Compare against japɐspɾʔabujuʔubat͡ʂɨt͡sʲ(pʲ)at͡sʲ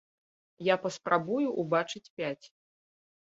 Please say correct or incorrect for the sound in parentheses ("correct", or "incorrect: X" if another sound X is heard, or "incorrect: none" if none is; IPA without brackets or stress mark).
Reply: correct